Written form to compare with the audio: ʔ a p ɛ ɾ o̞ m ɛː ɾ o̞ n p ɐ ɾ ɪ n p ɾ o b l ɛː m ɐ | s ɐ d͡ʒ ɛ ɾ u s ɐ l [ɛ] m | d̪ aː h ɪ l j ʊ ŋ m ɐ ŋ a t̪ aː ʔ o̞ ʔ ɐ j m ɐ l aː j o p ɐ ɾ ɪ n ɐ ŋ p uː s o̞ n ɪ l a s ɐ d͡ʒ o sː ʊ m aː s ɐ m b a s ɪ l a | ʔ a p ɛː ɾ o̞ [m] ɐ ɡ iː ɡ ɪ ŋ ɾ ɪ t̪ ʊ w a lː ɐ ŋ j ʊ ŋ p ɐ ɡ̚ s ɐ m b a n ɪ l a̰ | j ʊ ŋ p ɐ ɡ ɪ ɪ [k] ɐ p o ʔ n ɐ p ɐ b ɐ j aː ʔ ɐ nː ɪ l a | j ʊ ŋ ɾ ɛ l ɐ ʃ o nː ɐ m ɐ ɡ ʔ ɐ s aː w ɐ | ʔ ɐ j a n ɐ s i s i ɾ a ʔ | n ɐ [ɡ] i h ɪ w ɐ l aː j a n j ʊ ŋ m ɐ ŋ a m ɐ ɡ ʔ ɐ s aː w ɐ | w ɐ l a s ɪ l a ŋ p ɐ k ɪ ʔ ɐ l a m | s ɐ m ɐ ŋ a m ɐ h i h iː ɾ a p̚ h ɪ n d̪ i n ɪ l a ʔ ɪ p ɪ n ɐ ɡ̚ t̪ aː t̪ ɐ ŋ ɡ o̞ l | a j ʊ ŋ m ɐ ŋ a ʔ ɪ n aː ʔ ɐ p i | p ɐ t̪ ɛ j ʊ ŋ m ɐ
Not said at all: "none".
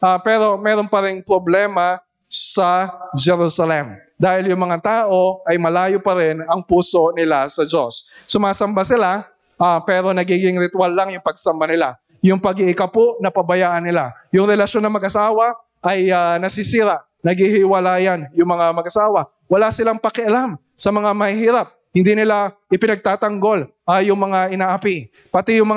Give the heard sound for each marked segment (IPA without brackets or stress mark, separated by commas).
ɛ, n, k, ɡ